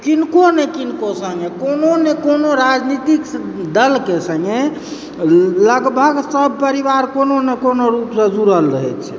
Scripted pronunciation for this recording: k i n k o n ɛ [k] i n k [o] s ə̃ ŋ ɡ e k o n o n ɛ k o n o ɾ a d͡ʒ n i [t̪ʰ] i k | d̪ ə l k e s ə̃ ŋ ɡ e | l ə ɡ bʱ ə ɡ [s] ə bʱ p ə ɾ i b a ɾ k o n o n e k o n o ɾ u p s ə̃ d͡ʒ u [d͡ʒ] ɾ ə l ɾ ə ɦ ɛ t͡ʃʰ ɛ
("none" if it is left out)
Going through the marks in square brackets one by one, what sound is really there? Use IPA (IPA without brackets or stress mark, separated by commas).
k, o, t̪, s, none